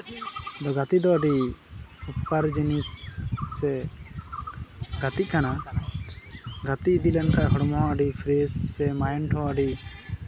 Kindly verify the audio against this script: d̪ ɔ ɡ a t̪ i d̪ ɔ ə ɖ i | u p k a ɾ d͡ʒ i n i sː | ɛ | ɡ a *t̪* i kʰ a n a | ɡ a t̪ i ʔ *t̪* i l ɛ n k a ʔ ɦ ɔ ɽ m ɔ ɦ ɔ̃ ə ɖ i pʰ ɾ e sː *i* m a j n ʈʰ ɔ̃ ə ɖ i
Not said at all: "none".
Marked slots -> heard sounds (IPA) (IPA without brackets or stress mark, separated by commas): t̪, d̪, ɛ